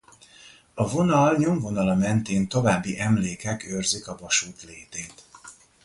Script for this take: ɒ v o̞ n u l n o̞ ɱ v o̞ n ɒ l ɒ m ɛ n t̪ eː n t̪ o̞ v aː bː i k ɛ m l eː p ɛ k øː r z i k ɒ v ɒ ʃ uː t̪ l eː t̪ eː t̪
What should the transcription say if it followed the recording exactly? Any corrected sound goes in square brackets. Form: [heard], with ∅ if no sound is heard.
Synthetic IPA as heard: ɒ v o̞ n [ɒ] l [ɲ] o̞ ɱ v o̞ n ɒ l ɒ m ɛ n t̪ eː n t̪ o̞ v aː bː i [ʔ] ɛ m l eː [k] ɛ k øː r z i k ɒ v ɒ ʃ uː t̪ l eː t̪ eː t̪